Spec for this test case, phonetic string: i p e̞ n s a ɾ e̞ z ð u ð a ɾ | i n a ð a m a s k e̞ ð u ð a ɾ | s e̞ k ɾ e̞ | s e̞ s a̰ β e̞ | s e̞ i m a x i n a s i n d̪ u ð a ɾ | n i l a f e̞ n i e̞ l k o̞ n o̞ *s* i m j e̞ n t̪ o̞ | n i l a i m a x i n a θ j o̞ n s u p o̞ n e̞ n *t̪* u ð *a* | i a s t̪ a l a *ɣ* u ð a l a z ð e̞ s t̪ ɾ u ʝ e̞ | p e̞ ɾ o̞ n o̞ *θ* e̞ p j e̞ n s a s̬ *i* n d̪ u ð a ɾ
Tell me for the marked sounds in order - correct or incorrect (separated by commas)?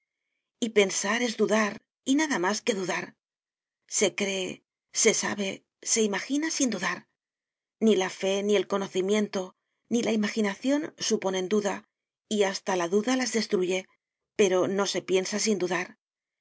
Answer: incorrect, incorrect, correct, incorrect, incorrect, correct